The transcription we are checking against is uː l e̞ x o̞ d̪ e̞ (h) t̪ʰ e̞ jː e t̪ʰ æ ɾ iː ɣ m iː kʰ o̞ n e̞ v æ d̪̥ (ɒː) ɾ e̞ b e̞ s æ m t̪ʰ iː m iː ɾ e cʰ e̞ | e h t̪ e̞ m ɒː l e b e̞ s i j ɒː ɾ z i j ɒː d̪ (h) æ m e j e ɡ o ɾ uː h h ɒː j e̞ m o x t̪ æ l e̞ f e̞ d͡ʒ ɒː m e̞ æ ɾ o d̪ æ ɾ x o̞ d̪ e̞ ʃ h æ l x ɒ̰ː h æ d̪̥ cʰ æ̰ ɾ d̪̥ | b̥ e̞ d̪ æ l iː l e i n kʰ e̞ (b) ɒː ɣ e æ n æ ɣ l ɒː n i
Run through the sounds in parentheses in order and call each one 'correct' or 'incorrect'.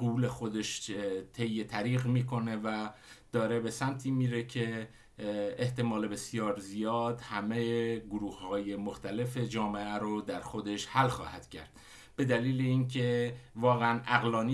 incorrect: ʃ, correct, correct, incorrect: v

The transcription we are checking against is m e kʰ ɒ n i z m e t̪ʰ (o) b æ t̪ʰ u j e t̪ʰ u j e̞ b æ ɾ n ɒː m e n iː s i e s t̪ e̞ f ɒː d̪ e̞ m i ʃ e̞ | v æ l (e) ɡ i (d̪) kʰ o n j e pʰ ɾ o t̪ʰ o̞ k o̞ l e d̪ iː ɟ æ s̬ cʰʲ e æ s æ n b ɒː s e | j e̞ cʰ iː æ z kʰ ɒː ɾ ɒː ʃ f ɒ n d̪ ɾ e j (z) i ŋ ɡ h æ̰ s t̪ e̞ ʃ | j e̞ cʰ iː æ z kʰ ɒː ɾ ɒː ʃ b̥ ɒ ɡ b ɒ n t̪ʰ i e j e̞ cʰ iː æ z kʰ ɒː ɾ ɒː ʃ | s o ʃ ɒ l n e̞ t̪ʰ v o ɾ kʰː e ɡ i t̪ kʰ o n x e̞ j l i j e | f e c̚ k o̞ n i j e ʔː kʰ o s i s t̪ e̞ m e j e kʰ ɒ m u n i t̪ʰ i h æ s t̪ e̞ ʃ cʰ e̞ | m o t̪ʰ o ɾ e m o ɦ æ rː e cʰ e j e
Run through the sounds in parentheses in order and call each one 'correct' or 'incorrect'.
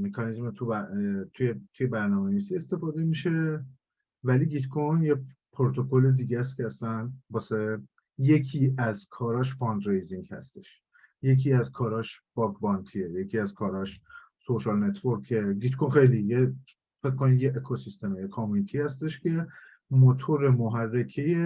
incorrect: u, incorrect: i, incorrect: t̪, correct

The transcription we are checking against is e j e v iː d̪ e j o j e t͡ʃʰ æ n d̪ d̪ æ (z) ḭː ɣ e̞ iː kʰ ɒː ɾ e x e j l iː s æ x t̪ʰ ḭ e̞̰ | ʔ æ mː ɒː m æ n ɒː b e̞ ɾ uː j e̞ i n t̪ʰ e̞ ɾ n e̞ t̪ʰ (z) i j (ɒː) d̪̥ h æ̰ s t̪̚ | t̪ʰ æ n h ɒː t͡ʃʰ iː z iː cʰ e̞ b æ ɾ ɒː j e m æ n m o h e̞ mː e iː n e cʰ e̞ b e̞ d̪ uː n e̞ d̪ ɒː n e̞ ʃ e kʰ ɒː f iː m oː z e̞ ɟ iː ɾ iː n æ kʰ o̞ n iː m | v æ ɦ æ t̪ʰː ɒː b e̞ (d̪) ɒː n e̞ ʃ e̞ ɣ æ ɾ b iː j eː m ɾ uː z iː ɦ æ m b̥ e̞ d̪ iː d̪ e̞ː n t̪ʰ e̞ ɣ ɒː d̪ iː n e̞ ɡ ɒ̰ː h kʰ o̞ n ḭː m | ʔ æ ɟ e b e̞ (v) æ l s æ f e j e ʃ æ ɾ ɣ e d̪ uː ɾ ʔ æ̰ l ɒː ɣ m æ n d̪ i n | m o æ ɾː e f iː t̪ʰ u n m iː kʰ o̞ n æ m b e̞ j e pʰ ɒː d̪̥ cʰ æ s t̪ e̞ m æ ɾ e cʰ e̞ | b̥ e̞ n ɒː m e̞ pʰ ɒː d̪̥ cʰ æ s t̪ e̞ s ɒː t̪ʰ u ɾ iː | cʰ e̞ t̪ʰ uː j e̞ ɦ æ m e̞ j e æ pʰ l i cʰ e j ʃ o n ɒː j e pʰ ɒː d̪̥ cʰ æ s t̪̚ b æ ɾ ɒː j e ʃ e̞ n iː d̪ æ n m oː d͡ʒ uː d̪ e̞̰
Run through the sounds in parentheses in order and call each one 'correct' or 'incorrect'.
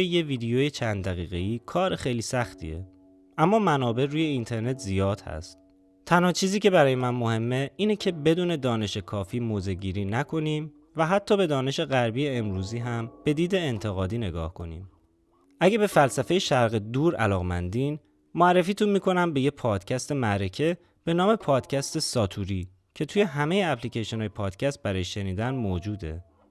incorrect: ɣ, correct, correct, correct, incorrect: f

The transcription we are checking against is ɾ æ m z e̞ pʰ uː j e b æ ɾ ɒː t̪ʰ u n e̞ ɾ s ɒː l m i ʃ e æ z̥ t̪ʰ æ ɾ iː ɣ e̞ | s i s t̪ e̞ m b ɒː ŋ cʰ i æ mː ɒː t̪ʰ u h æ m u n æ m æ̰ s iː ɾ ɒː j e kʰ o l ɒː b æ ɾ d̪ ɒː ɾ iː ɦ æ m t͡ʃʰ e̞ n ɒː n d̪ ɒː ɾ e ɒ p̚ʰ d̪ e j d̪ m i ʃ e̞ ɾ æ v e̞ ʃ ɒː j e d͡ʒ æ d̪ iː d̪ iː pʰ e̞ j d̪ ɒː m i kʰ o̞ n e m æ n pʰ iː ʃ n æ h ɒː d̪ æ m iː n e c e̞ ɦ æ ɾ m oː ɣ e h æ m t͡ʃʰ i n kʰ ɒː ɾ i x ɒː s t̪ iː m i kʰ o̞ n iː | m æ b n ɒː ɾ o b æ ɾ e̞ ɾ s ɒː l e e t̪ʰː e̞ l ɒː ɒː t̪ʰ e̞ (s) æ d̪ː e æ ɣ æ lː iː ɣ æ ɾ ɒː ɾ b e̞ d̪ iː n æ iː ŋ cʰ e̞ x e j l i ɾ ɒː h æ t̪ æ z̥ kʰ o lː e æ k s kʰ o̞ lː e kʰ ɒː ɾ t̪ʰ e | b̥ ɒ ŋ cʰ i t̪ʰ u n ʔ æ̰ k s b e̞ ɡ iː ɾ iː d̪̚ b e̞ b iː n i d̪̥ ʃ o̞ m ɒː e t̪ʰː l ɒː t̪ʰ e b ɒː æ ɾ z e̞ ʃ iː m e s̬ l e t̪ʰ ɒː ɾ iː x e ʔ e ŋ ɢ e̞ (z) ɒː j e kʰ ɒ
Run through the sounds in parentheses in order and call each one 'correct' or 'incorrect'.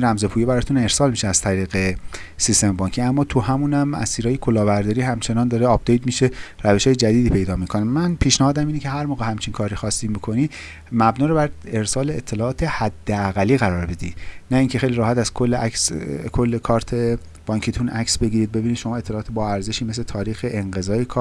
incorrect: h, correct

